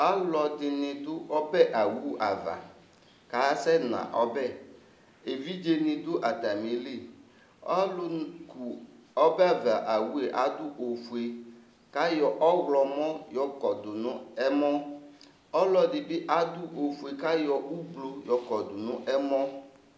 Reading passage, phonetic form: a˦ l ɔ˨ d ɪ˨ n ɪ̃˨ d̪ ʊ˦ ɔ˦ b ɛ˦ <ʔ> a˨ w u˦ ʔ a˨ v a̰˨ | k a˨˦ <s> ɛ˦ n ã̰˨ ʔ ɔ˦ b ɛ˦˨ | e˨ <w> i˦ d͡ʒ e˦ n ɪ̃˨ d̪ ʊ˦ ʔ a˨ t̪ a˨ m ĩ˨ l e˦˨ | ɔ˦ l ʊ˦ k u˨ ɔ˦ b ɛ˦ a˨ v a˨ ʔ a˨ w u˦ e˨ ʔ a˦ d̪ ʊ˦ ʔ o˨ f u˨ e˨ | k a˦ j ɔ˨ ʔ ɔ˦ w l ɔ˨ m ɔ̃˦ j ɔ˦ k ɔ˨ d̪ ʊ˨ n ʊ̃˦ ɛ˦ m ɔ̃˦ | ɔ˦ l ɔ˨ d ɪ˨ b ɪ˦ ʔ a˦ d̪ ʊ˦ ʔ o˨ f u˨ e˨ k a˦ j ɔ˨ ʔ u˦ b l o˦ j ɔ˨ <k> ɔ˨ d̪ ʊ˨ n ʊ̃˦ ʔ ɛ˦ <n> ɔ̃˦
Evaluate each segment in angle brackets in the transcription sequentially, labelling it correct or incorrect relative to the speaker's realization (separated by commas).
correct, correct, incorrect, correct, incorrect